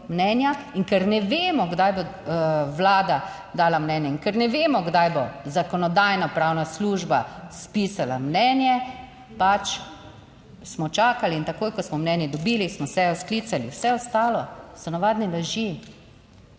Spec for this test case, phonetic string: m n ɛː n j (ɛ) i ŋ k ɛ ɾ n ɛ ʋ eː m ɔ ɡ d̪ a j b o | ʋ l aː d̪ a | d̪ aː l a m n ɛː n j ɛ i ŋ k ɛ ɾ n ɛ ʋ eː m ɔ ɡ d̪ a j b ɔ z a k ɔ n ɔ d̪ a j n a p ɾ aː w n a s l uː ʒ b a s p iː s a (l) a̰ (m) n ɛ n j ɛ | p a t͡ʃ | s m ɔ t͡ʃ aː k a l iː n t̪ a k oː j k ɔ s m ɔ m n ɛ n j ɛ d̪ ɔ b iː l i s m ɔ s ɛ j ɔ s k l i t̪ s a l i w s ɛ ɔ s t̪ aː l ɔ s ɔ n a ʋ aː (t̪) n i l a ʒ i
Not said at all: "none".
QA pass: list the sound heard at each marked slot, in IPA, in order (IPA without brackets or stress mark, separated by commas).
a, l, m, d̪